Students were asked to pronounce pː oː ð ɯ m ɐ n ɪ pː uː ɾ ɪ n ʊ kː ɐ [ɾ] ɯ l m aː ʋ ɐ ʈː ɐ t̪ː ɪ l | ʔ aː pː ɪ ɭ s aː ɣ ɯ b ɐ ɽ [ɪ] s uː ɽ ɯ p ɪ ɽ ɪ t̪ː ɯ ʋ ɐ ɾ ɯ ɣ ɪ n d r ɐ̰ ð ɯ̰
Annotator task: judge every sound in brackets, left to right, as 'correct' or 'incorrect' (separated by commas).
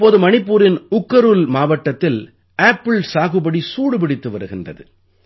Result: correct, incorrect